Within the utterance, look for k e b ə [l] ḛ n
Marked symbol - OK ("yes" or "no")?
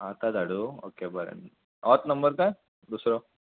no